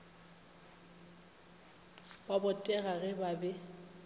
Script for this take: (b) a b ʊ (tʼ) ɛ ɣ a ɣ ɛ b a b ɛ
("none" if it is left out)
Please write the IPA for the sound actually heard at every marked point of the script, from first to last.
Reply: b, tʼ

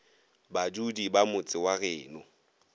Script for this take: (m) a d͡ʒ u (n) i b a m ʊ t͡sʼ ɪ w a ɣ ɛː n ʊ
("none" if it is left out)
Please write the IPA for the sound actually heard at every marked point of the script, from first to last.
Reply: b, d

